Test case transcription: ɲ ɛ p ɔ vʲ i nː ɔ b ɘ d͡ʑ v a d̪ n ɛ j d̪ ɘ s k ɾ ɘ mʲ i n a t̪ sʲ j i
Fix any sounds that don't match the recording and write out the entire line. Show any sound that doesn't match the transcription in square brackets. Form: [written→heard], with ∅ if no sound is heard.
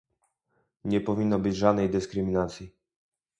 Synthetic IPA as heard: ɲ ɛ p ɔ vʲ i nː ɔ b ɘ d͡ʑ [v→ʐ] a d̪ n ɛ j d̪ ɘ s k ɾ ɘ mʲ i n a t̪ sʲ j i